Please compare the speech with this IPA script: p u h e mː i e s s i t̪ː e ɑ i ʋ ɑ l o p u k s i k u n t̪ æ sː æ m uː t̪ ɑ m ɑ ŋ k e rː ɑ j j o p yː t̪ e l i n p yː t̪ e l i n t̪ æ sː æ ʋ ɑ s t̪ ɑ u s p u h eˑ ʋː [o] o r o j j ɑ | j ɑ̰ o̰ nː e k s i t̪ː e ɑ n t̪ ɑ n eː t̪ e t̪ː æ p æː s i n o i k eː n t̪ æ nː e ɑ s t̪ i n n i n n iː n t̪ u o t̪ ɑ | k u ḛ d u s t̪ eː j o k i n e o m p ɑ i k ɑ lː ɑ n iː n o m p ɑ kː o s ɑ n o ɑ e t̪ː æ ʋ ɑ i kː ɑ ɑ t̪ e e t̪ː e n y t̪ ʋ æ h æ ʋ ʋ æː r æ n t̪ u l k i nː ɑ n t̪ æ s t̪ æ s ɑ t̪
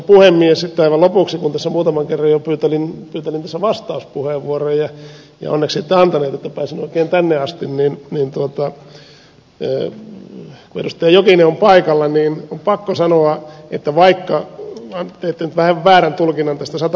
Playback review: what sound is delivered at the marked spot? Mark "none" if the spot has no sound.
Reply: u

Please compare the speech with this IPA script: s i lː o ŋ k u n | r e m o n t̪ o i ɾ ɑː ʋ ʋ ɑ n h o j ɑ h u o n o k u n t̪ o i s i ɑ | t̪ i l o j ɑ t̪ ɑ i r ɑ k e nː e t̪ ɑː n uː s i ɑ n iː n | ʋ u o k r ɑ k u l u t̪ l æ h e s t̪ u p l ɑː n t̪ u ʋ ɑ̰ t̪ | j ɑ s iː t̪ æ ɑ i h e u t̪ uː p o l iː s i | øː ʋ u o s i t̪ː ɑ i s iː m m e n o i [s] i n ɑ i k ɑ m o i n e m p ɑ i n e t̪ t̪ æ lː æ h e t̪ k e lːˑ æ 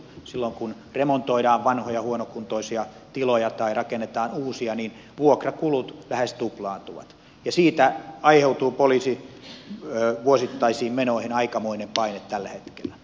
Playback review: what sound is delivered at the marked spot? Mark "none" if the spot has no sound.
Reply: h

